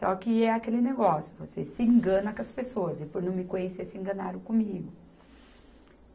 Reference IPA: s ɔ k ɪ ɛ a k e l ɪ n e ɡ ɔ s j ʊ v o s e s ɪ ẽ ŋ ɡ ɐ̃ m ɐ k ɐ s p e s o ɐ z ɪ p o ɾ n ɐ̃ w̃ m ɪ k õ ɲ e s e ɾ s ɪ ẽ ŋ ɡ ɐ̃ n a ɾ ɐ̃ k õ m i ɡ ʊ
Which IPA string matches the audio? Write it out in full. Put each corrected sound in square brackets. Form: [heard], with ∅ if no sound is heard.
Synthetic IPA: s ɔ k ɪ ɛ a k e l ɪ n e ɡ ɔ s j ʊ v o s e s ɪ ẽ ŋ ɡ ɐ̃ [n] ɐ k ɐ s p e s o ɐ z ɪ p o ɾ n ɐ̃ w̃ m ɪ k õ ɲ e s e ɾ s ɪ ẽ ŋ ɡ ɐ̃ n a ɾ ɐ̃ k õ m i ɡ ʊ